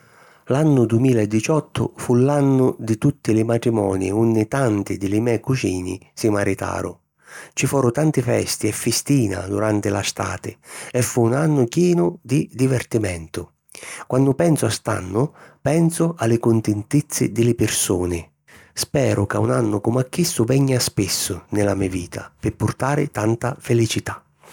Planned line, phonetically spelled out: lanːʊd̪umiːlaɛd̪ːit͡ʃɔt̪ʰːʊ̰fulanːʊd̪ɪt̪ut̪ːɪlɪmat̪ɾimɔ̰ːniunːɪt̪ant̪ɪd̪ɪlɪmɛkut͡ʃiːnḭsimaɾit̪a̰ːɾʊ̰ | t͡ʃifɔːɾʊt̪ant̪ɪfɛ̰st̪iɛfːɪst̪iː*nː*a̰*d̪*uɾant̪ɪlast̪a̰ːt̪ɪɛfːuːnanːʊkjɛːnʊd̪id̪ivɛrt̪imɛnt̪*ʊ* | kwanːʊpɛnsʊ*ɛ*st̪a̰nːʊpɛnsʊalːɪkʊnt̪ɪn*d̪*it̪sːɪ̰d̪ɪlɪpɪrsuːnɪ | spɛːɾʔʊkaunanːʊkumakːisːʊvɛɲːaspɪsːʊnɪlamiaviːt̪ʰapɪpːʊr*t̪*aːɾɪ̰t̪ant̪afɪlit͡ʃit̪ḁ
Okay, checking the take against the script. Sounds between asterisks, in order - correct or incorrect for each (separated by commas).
incorrect, correct, correct, incorrect, incorrect, correct